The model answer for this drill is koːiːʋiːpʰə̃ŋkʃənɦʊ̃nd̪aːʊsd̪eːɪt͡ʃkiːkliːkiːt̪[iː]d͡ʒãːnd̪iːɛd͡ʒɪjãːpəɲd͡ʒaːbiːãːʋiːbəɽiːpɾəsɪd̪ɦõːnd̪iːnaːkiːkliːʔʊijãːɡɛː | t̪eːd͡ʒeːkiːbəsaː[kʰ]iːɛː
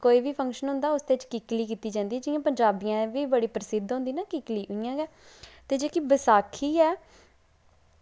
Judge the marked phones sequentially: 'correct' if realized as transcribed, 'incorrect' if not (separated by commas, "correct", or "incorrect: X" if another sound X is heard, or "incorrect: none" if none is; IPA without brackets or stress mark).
correct, correct